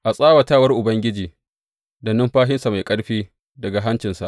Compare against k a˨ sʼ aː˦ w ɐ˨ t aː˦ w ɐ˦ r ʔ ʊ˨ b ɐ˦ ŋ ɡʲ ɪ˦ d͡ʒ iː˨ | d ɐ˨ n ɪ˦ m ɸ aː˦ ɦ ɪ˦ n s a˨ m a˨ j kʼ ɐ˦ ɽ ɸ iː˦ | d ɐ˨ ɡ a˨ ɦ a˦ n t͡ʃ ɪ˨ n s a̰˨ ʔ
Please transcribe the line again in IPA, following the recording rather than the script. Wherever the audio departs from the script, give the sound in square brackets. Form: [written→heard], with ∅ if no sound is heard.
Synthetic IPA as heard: [k→ʔ] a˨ sʼ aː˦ w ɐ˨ t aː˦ w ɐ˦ r ʔ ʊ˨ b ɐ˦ ŋ ɡʲ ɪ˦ d͡ʒ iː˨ | d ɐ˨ n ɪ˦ m ɸ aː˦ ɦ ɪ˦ n s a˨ m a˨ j kʼ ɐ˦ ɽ ɸ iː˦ | d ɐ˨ ɡ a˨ ɦ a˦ n t͡ʃ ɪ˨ n s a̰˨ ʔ